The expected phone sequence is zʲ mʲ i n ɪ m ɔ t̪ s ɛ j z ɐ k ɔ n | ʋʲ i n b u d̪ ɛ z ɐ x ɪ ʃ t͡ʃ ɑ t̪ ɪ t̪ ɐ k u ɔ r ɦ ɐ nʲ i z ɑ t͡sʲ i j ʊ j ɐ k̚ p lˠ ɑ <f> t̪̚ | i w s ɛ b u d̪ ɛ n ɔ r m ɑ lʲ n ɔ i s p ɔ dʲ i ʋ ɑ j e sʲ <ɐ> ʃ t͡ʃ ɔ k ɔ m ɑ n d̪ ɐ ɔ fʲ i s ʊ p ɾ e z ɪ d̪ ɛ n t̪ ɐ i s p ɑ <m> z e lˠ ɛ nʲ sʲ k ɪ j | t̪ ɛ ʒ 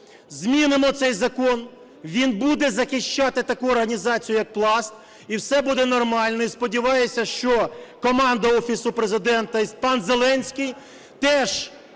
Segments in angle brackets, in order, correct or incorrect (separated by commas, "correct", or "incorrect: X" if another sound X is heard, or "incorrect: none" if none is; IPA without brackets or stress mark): incorrect: s, correct, incorrect: n